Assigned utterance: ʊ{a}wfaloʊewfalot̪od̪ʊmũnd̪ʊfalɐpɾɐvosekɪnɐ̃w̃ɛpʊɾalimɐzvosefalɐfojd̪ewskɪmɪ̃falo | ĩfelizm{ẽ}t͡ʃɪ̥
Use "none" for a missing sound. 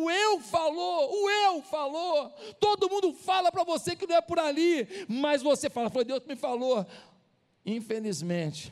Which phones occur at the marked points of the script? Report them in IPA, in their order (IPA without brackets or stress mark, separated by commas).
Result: e, ẽ